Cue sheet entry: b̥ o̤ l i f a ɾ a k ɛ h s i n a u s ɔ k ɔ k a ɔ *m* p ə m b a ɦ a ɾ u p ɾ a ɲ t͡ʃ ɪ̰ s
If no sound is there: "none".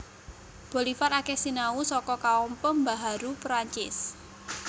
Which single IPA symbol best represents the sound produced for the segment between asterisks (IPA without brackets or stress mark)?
m